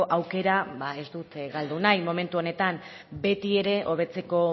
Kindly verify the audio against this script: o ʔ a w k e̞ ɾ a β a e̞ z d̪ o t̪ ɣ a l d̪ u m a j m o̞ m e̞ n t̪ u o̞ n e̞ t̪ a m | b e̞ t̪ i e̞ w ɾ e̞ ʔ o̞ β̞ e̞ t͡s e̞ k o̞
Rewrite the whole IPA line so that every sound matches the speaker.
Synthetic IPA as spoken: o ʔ a w k e̞ ɾ a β a e̞ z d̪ u t̪ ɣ a l d̪ u n a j m o̞ m e̞ n t̪ u o̞ n e̞ t̪ a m | b e̞ t̪ i e̞ ɾ e̞ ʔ o̞ β̞ e̞ t͡s e̞ k o̞